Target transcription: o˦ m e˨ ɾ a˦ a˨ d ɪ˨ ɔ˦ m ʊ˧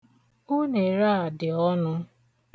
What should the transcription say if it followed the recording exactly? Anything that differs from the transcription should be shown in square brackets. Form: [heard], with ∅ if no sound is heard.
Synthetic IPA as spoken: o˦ [n] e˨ ɾ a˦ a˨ d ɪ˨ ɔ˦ [n] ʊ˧